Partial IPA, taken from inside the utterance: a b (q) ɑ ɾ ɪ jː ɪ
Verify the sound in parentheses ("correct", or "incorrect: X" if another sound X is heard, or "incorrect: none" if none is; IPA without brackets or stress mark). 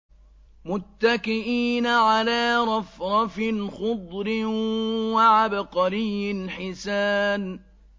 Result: correct